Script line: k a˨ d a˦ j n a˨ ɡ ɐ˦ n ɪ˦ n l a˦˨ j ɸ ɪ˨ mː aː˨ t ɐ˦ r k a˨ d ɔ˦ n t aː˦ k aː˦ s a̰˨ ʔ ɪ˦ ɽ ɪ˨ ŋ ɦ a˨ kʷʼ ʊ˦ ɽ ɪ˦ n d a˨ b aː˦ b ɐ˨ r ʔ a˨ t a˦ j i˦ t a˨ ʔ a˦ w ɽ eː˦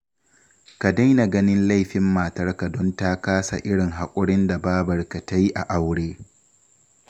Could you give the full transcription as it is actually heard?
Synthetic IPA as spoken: k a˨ d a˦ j n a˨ ɡ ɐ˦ n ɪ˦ n l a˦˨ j ɸ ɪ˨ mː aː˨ t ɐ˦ r k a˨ d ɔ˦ n t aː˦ k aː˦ s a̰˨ ʔ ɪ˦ ɽ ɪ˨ ŋ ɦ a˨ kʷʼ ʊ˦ ɽ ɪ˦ n d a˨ b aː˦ b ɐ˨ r k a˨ t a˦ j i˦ ʔ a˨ ʔ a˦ w ɽ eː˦

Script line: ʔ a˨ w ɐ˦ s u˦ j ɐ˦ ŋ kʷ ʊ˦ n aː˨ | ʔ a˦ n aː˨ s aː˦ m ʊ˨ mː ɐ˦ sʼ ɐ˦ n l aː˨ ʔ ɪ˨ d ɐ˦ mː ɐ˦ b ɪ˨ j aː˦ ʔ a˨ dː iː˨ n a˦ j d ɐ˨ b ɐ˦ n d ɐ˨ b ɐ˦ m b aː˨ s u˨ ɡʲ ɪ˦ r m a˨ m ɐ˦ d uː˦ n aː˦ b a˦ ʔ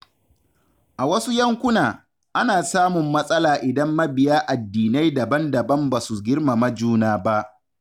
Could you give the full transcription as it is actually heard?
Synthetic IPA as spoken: ʔ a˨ w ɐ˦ s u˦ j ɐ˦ ŋ kʷ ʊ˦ n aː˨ | ʔ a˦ n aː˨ s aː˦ m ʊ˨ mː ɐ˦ sʼ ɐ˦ l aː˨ ʔ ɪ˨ d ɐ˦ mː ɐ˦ b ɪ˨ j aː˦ ʔ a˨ dː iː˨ n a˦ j d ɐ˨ b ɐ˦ n d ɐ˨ b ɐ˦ m b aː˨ s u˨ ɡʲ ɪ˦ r m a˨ m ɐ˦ d͡ʒ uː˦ n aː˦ b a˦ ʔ

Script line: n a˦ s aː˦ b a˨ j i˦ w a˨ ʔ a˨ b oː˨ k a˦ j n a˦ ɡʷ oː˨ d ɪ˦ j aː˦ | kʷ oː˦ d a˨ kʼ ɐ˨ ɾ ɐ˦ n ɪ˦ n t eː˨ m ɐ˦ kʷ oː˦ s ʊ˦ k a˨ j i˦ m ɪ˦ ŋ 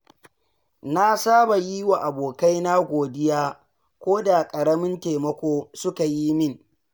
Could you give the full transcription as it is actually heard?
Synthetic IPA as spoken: n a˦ s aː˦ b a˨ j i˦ w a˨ ʔ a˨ b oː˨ k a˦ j n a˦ ɡʷ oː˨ d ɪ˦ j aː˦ | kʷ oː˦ d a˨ kʼ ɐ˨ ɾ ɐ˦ m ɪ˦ n t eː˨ m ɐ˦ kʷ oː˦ s ʊ˦ k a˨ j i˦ m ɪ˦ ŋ

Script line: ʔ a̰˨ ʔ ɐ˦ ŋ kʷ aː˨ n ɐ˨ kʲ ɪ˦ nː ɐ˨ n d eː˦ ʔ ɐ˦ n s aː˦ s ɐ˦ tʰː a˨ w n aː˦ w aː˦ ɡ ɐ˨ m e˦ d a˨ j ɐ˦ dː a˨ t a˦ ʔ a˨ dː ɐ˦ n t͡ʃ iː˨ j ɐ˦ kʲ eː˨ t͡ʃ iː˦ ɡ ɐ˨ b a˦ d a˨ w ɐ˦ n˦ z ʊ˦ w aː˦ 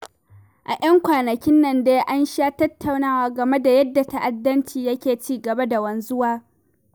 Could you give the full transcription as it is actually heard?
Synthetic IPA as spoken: ʔ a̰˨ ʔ ɐ˦ ŋ kʷ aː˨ n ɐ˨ kʲ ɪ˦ nː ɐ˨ n d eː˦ ʔ a˦ n ʃ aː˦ t ɐ˦ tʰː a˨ w n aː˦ w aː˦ ɡ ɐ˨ m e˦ d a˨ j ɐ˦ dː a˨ t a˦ ʔ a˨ dː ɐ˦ n t͡ʃ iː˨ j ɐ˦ kʲ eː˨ t͡ʃ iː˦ ɡ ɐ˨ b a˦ d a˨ w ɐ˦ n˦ z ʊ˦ w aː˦

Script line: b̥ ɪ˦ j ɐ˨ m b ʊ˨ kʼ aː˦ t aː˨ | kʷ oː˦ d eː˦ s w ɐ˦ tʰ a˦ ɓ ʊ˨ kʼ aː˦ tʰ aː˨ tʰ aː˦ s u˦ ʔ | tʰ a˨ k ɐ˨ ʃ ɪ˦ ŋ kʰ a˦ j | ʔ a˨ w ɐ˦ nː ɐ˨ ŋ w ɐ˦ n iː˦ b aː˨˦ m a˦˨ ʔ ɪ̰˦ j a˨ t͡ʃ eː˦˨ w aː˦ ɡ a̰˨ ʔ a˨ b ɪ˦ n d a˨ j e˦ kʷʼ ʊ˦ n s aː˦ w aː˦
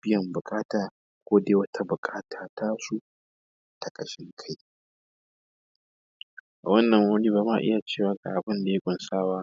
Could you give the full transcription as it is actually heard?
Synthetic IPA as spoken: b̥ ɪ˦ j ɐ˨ m b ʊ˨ kʼ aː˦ t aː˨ | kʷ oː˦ d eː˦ w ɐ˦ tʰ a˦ b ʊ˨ kʼ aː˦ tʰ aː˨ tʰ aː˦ s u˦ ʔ | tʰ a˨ kʼ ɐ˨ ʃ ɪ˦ ŋ kʰ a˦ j | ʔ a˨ w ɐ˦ nː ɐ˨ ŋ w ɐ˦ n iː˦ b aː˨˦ m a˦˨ ʔ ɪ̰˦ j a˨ t͡ʃ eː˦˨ w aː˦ ɡ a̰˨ ʔ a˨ b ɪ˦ n d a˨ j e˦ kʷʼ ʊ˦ n s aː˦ w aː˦

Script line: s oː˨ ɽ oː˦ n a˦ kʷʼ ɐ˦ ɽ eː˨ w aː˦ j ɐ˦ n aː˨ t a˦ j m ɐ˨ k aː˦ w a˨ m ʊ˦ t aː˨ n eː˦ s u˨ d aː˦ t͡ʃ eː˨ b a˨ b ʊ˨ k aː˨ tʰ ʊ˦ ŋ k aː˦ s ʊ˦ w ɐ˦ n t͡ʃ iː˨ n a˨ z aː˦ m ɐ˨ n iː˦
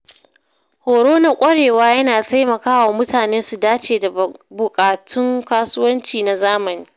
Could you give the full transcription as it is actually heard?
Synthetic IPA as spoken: h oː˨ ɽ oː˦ n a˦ kʷʼ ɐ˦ ɽ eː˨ w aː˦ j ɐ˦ n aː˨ t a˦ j m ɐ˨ k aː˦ w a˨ m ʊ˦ t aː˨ n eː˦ s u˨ d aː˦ t͡ʃ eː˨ d a˨ b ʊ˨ kʼ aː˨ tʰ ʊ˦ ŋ k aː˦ s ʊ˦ w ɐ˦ n t͡ʃ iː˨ n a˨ z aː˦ m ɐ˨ n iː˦

